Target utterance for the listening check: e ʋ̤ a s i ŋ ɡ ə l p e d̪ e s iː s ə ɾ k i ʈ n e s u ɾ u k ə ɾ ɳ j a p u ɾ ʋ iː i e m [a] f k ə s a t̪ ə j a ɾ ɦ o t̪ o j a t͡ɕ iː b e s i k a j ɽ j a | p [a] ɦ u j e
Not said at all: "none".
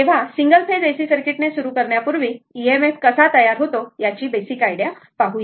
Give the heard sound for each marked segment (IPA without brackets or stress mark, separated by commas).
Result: e, a